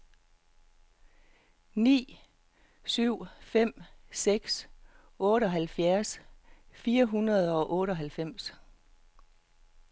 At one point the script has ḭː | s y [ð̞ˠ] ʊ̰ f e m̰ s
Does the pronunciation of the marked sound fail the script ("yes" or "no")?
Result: yes